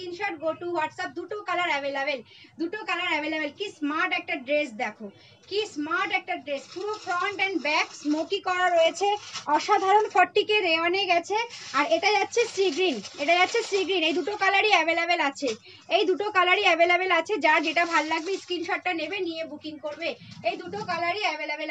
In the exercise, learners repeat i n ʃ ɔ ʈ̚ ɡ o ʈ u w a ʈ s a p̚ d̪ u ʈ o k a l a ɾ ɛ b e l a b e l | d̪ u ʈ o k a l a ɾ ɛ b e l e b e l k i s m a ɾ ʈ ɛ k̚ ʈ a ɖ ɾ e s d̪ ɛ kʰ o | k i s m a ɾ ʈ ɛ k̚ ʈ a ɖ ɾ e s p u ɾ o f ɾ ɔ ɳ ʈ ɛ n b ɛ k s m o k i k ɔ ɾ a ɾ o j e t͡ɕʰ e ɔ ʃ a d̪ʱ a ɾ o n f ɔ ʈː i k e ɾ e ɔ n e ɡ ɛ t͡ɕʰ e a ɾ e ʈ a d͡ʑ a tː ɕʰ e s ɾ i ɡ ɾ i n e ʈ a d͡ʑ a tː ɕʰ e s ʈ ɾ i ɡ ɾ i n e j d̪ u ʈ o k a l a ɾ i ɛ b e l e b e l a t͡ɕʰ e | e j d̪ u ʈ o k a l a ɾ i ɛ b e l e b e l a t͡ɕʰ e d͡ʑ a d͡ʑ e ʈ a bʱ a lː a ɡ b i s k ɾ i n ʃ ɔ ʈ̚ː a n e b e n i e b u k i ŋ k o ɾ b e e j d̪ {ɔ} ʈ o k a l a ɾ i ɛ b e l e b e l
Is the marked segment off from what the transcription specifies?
yes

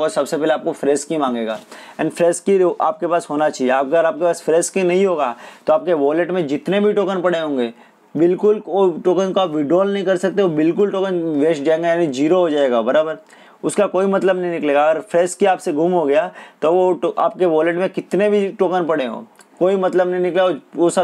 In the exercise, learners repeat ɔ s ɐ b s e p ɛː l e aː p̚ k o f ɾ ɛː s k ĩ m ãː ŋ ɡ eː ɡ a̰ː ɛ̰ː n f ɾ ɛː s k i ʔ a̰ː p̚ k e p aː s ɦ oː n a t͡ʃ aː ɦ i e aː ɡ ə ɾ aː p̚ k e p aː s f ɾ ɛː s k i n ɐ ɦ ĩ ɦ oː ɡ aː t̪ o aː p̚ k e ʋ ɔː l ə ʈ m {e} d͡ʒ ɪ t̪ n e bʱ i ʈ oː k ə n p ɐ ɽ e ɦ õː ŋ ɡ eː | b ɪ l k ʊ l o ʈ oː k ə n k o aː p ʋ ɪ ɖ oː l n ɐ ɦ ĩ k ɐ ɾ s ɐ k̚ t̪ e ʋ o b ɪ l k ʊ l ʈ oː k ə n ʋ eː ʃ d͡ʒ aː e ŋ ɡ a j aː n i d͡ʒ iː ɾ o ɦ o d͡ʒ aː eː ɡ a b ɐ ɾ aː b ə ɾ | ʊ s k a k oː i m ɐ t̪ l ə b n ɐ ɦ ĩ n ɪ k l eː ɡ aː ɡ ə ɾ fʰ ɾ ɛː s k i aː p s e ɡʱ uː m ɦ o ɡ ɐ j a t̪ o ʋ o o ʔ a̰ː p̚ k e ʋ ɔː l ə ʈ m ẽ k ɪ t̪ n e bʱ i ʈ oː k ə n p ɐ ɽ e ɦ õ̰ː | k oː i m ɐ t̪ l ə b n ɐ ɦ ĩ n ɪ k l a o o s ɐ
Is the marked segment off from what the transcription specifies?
yes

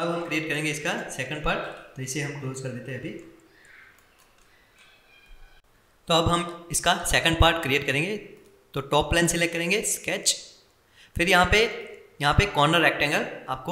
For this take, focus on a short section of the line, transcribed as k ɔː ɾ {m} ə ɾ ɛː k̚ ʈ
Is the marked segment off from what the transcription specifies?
yes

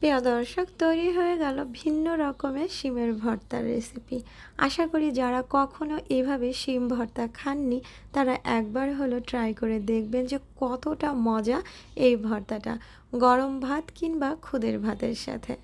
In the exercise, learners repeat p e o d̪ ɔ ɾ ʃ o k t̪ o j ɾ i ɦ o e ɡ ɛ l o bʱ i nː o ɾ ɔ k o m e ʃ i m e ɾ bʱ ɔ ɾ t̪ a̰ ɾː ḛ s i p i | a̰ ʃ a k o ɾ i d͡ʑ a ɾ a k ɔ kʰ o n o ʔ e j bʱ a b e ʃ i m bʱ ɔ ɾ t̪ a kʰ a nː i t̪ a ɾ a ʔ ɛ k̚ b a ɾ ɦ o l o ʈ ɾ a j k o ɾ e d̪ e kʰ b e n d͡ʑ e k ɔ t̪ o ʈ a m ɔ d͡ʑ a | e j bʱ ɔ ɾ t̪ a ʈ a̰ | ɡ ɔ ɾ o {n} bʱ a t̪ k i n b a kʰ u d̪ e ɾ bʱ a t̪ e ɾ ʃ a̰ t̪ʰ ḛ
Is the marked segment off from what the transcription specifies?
yes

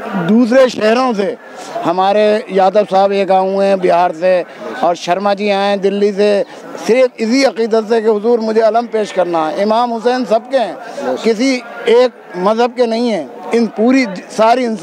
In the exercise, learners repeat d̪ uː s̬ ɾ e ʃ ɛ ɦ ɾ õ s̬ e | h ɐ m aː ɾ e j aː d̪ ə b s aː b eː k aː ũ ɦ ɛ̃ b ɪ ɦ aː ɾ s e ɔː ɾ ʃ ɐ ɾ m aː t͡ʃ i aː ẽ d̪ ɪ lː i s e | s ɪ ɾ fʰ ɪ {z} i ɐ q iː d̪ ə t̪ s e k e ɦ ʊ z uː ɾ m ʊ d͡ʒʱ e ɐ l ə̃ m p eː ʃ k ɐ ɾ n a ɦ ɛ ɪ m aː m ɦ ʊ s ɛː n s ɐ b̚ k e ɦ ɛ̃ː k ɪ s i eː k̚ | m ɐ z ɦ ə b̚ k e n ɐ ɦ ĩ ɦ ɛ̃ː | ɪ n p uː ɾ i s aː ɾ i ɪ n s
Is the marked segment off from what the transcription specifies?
yes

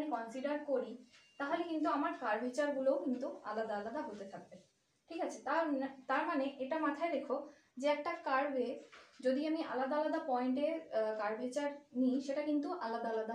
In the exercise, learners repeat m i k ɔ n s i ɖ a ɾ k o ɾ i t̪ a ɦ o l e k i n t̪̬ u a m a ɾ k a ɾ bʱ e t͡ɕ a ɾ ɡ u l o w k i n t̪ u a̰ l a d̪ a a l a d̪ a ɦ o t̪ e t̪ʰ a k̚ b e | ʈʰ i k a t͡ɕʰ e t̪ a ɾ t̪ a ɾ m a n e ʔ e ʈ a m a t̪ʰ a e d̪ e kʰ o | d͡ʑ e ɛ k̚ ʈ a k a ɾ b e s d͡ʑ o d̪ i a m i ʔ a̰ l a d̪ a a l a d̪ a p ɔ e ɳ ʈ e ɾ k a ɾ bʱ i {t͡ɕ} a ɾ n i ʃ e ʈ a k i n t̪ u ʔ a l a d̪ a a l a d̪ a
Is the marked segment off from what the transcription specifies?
no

